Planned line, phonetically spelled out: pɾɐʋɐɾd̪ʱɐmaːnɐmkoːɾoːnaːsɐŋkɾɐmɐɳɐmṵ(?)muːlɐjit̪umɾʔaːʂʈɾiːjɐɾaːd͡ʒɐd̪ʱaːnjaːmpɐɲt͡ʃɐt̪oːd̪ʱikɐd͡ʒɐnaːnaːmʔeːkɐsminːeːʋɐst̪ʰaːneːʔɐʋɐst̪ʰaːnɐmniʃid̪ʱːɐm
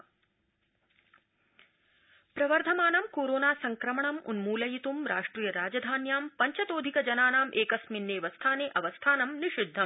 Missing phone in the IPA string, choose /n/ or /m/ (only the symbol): n